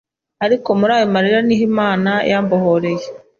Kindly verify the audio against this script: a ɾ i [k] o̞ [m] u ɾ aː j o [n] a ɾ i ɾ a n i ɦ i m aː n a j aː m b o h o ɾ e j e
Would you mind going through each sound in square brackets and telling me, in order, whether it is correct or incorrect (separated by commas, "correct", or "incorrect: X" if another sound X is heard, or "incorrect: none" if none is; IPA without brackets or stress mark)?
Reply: correct, correct, incorrect: m